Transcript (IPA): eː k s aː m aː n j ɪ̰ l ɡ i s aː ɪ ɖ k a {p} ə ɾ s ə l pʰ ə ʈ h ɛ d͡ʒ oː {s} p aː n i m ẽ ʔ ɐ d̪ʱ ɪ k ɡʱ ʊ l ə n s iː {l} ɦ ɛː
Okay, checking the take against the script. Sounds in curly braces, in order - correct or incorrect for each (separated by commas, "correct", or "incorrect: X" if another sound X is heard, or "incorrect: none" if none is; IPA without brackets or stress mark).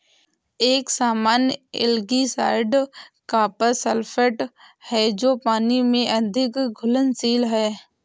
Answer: correct, incorrect: none, correct